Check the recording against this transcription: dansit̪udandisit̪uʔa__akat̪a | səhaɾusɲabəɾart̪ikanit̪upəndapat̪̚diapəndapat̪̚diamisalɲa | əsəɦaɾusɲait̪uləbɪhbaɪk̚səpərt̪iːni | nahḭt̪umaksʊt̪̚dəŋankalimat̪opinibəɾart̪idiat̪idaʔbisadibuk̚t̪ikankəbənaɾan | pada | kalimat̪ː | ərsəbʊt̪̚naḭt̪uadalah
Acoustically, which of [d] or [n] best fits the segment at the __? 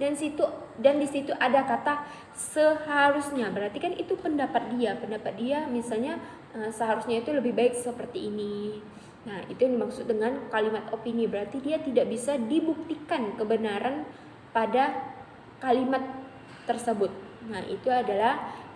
d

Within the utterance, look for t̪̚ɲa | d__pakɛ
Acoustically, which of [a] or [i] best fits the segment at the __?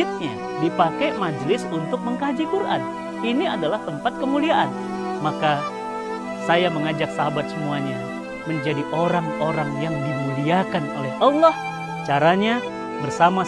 i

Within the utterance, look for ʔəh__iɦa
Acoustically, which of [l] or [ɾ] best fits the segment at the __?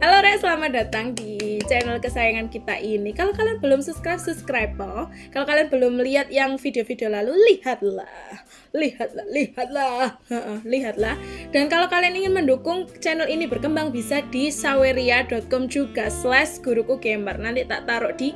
l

